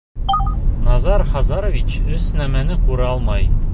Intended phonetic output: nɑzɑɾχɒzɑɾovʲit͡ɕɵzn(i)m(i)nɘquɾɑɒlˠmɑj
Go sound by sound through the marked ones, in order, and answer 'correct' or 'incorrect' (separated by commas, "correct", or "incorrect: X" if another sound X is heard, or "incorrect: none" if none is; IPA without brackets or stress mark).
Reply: incorrect: æ, incorrect: æ